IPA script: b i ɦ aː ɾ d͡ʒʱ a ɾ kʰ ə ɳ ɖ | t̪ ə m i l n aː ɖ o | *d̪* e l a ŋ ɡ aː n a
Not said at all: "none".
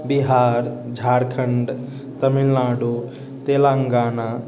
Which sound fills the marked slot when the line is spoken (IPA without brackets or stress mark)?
t̪